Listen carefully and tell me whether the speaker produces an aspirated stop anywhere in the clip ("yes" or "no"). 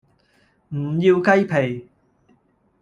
yes